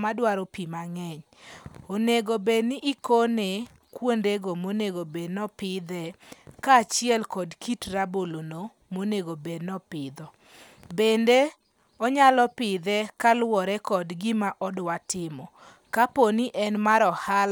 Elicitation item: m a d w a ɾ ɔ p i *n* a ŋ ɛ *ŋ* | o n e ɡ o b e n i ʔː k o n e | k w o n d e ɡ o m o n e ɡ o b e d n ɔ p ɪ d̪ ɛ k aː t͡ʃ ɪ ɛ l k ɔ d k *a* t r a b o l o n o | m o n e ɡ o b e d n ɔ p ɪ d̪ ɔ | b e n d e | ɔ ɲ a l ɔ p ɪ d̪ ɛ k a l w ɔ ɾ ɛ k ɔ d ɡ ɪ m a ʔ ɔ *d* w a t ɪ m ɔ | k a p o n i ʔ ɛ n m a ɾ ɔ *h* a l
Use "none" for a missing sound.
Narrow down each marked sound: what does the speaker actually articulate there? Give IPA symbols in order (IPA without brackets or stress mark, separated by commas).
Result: m, ɲ, i, d, h